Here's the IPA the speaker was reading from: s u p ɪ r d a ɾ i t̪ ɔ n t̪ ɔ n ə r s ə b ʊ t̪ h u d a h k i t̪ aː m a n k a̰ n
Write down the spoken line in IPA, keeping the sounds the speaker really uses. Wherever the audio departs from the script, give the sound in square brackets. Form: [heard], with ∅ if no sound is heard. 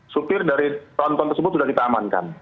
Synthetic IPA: s u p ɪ r d a ɾ i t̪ ɔ n t̪ ɔ n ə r s ə b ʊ t̪ [s] u d a h k i t̪ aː m a n k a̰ n